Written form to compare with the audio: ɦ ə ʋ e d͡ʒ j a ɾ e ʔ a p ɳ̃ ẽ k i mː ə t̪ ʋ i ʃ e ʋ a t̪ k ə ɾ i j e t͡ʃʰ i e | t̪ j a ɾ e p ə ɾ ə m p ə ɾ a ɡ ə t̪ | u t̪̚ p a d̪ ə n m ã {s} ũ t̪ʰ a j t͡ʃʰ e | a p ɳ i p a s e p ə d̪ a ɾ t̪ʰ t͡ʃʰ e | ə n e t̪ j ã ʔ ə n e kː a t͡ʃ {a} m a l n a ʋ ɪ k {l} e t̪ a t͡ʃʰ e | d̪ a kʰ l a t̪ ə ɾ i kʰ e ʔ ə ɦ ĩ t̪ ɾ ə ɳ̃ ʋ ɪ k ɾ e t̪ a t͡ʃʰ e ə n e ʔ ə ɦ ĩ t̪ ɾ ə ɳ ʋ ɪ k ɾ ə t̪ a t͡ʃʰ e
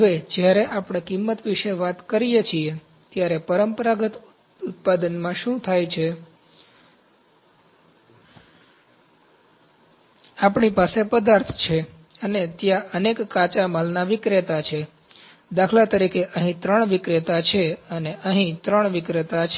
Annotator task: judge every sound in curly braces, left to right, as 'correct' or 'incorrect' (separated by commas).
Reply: incorrect, correct, incorrect